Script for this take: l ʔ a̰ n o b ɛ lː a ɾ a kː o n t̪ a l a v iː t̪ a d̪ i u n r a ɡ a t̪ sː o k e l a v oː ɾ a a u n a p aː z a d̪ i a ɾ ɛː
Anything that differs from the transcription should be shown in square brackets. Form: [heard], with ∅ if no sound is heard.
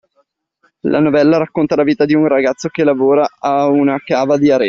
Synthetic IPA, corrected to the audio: l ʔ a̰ n o [v] ɛ lː a ɾ a kː o n t̪ a l a v iː t̪ a d̪ i u n r a ɡ a t̪ sː o k e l a v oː ɾ a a u n a [k] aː [v] a d̪ i a ɾ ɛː